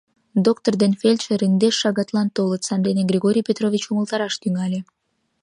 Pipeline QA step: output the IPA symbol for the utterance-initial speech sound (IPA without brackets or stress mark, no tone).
d̪